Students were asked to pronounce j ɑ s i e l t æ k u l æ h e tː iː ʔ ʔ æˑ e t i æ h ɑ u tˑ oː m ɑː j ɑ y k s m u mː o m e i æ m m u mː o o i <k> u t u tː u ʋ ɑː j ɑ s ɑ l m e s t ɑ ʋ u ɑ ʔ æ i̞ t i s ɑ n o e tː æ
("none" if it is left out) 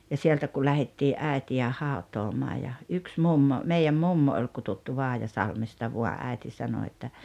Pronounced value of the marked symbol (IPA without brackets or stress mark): k